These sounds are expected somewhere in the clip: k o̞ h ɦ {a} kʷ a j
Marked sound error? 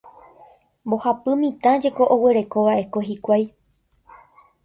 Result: yes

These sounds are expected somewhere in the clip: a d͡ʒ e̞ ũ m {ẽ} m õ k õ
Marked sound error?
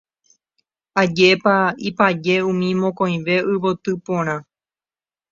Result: yes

